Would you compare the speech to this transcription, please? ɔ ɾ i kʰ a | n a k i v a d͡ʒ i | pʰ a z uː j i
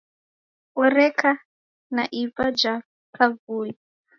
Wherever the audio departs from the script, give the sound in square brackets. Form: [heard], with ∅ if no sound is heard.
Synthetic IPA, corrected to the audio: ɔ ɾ [ɛ] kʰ a | n a [ʔ] i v a d͡ʒ [a] | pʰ a [v] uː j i